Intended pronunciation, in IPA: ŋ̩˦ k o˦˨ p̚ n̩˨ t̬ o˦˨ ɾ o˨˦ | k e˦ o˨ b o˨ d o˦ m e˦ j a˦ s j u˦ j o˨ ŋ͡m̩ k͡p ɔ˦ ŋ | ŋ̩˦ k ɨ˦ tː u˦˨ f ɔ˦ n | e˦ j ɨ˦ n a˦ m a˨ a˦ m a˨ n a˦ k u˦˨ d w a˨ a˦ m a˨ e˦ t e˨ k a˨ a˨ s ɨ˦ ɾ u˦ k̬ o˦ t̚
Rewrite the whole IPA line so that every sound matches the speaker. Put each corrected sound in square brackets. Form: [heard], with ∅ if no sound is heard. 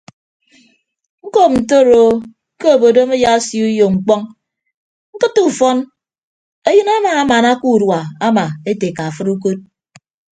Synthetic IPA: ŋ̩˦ k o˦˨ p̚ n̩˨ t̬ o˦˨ ɾ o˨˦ | k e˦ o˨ b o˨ d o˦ m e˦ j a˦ s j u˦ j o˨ ŋ͡m̩ k͡p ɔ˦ ŋ | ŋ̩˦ k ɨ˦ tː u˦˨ f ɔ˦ n | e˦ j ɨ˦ n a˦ m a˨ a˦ m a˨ n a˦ k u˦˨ d w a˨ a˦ m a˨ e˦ t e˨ k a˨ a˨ [f] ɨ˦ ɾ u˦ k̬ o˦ t̚

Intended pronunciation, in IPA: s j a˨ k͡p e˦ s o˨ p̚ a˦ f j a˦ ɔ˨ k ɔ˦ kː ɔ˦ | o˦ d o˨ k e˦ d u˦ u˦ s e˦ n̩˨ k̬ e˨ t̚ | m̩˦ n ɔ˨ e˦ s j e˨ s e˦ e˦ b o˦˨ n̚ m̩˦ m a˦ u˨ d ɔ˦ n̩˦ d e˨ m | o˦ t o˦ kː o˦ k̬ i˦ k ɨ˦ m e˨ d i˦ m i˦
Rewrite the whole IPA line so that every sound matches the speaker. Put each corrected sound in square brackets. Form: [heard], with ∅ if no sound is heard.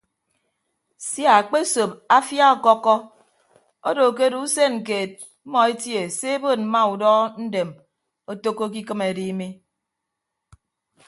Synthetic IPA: s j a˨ k͡p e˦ s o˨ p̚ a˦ f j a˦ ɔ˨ k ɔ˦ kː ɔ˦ | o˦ d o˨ k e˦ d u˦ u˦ s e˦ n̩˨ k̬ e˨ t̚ | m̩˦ [m] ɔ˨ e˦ [t] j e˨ s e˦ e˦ b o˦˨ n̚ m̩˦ m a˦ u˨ d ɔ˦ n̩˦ d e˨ m | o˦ t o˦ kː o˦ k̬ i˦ k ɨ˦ m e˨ d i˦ m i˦

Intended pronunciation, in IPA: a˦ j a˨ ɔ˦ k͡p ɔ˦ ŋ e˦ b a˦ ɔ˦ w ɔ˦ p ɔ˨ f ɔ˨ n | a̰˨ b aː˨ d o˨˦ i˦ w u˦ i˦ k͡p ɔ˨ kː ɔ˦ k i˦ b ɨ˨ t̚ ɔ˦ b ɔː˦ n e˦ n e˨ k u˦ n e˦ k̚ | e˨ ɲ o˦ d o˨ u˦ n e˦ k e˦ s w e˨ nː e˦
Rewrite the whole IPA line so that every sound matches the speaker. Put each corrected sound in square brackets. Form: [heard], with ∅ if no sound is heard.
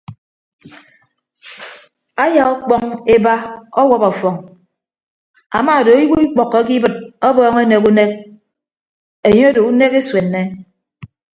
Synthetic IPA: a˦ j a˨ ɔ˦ k͡p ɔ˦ ŋ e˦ b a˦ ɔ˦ w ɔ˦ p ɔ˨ f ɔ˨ [ŋ] | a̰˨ [m] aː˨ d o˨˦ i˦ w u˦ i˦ k͡p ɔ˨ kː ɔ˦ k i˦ b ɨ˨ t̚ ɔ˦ b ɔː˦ [ŋ] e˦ n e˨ k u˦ n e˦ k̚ | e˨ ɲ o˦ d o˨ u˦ n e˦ k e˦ s w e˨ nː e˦

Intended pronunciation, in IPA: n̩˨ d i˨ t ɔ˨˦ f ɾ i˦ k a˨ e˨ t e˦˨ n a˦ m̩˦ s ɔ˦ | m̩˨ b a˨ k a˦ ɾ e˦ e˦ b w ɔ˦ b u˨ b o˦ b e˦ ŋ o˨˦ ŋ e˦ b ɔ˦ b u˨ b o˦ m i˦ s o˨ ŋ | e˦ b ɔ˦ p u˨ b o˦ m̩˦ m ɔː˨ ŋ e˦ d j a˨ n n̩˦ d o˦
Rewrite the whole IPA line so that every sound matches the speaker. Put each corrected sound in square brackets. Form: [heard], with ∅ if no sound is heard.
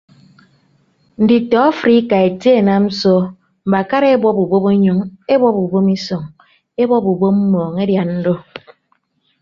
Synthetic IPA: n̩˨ d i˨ t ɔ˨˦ f ɾ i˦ k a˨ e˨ t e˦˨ n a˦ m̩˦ s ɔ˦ | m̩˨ b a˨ k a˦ ɾ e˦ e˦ b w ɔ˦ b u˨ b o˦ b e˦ [ɲ] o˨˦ ŋ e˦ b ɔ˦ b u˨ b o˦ m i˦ s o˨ ŋ | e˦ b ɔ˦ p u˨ b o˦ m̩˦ m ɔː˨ ŋ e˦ d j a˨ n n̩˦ d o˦

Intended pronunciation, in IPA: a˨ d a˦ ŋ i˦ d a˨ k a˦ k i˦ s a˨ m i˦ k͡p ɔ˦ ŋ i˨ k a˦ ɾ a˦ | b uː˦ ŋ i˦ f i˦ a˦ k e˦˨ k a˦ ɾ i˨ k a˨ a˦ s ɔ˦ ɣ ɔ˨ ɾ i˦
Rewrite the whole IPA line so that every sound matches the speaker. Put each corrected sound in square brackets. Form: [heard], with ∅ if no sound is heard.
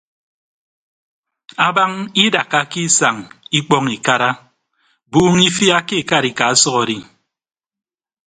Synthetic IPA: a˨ [b] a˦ ŋ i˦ d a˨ k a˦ k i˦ s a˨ [ŋ] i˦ k͡p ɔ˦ ŋ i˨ k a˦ ɾ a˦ | b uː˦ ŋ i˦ f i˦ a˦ k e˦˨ k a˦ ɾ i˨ k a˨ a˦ s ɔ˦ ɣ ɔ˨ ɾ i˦

